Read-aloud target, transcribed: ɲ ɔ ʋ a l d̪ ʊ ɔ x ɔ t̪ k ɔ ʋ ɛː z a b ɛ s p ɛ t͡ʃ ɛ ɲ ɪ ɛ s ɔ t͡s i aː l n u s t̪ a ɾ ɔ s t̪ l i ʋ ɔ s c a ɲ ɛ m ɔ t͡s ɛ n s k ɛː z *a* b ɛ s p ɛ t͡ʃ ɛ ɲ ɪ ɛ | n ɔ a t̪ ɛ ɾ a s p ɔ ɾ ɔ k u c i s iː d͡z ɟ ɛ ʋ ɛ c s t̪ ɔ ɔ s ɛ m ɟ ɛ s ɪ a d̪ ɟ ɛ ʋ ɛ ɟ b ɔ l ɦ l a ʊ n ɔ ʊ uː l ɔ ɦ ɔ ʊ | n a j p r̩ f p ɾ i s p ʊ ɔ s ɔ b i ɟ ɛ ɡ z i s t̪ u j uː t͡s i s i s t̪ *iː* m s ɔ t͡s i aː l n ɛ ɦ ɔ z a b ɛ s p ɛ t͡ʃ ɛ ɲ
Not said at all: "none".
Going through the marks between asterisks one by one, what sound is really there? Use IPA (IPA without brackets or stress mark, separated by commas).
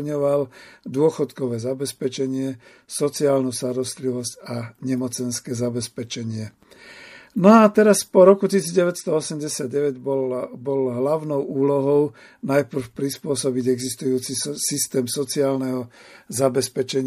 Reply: a, ɛː